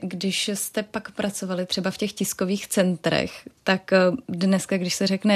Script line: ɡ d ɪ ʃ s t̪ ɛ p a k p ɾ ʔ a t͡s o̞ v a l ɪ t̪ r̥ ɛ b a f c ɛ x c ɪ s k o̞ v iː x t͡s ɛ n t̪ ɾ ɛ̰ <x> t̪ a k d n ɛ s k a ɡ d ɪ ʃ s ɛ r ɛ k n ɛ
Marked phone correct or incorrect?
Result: correct